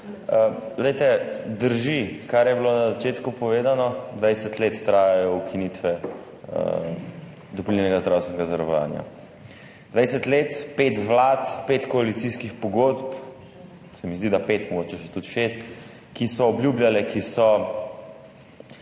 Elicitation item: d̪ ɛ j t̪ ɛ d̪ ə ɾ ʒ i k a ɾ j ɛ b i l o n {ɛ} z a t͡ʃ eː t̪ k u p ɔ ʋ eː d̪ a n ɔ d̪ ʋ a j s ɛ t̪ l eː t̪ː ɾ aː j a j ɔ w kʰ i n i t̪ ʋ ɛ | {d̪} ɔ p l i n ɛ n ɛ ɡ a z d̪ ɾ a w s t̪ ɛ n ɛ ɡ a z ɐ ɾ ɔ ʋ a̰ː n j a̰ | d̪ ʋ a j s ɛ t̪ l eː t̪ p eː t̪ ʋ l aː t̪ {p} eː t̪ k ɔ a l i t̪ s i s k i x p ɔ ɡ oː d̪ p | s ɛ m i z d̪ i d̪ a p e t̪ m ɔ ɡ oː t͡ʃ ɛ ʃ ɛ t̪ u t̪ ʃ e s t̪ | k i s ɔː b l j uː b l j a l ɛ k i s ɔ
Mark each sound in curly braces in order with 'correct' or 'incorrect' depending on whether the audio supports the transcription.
incorrect: a, correct, correct

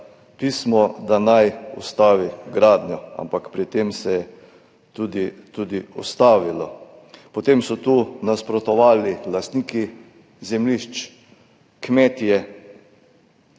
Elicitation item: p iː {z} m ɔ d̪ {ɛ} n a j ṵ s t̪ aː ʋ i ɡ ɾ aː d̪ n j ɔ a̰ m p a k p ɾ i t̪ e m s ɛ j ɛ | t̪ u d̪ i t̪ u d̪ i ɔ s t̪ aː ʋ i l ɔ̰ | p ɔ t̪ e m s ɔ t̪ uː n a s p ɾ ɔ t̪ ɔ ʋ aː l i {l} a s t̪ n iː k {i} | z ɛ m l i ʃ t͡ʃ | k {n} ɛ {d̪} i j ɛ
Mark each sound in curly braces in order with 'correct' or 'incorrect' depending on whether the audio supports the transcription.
incorrect: s, incorrect: a, correct, correct, incorrect: m, incorrect: t̪

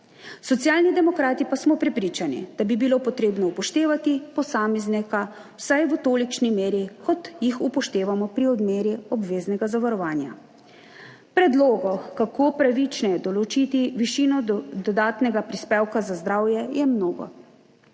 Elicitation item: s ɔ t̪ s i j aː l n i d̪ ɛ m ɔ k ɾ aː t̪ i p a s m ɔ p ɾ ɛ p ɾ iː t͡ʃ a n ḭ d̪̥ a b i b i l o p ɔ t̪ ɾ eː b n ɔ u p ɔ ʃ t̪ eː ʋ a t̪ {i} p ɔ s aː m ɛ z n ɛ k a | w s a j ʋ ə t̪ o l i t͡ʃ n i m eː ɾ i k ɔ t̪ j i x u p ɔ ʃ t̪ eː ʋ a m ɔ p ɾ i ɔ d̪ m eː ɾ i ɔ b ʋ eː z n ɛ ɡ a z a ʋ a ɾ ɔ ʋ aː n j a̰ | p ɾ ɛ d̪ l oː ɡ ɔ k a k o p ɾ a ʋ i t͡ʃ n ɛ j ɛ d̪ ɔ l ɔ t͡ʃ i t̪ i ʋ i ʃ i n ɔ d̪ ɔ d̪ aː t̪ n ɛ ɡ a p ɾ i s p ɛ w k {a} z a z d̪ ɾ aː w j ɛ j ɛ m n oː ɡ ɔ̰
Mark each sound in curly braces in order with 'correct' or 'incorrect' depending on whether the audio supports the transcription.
correct, correct

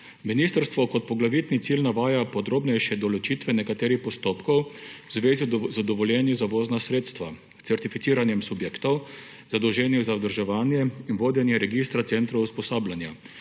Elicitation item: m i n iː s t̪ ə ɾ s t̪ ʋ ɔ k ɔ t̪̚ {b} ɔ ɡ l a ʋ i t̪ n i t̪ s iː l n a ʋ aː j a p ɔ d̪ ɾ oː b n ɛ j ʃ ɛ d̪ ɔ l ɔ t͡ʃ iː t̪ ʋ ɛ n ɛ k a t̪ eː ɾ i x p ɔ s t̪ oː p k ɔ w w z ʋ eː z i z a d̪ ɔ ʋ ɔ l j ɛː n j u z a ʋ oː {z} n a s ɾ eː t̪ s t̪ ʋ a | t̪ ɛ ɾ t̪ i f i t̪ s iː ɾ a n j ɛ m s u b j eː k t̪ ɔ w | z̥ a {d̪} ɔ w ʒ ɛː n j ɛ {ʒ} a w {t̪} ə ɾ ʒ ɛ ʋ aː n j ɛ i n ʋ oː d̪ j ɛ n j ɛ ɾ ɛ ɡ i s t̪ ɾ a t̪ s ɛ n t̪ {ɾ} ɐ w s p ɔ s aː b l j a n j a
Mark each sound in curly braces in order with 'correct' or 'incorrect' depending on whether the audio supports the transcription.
incorrect: p, correct, correct, incorrect: z, incorrect: d̪, correct

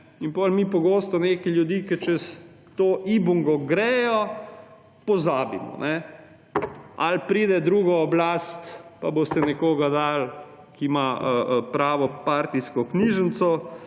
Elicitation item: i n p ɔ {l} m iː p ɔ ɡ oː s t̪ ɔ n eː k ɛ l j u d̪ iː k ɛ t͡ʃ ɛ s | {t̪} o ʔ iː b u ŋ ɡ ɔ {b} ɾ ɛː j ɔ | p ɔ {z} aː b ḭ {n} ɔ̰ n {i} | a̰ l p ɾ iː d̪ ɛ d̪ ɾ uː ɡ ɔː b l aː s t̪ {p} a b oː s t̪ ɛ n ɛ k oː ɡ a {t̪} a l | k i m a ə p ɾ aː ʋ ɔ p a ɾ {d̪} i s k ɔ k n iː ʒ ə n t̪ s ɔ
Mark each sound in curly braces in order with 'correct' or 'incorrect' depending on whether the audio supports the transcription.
correct, correct, incorrect: ɡ, correct, incorrect: m, incorrect: ɛ, correct, incorrect: d̪, incorrect: t̪

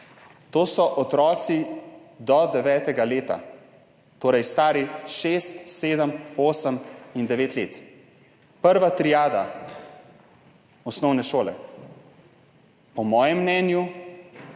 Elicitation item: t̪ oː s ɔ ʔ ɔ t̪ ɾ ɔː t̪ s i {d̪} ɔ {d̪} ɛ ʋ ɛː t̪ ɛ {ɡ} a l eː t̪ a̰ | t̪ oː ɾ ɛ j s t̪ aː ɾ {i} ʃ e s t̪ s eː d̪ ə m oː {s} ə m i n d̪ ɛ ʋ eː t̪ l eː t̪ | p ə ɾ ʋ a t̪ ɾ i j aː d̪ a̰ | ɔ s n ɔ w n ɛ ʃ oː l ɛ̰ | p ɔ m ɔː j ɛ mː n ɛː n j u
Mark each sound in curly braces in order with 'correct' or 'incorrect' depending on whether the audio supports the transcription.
correct, correct, correct, correct, correct

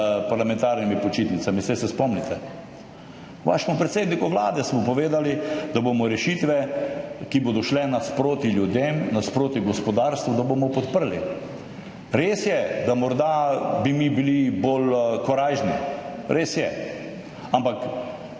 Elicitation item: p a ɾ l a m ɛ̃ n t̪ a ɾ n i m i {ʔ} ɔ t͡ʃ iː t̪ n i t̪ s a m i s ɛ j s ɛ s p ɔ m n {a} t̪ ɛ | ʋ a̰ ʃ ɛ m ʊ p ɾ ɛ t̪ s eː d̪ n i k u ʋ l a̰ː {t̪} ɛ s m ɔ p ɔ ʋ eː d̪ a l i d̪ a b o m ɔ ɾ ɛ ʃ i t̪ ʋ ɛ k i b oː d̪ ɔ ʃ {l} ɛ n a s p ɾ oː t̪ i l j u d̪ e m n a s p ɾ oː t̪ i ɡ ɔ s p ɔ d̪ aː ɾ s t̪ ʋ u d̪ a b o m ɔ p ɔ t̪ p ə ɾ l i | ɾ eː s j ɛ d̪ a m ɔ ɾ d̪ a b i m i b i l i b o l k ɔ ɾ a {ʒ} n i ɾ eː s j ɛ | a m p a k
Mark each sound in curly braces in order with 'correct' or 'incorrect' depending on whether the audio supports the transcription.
incorrect: p, incorrect: i, incorrect: d̪, correct, correct

